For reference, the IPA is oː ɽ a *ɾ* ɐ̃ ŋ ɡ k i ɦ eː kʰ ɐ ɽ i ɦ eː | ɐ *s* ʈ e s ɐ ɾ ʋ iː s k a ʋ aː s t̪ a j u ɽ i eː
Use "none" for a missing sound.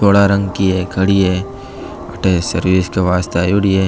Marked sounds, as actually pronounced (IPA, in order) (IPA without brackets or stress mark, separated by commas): ɾ, none